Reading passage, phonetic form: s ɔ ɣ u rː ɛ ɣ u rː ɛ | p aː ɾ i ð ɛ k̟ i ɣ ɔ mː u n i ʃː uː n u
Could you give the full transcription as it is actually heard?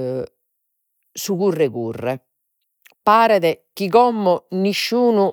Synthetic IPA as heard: s u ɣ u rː ɛ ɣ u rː ɛ | p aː ɾ ɛ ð ɛ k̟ i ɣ ɔ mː ɔ n i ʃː uː n u